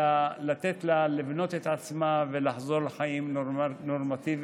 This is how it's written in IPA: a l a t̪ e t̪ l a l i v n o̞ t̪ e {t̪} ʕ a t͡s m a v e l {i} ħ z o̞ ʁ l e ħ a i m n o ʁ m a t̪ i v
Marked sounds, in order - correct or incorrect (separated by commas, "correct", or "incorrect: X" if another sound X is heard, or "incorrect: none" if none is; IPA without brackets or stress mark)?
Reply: correct, incorrect: a